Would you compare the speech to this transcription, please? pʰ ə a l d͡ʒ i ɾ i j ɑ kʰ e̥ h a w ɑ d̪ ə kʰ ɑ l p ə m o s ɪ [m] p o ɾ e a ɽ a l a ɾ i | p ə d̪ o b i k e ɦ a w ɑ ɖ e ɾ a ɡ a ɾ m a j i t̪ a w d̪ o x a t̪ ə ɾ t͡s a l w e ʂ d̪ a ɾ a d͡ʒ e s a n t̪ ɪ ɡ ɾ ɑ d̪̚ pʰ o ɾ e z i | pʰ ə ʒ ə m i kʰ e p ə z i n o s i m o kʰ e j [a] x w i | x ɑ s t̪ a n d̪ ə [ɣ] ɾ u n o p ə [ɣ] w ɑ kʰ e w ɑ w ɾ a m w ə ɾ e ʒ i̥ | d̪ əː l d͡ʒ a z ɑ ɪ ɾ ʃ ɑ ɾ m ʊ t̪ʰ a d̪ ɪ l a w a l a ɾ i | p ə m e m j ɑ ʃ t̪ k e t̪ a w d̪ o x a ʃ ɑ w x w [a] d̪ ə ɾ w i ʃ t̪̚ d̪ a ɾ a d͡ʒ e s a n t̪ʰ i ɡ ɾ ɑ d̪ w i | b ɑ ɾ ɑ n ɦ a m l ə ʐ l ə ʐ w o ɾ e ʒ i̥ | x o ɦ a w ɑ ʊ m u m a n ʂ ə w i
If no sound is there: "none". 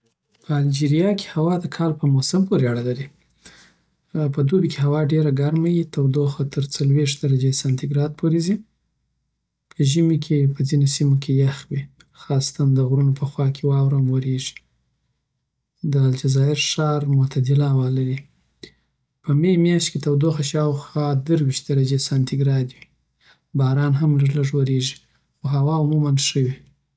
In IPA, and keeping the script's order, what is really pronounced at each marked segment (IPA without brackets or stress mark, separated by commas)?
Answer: m, a, ɣ, x, ɑ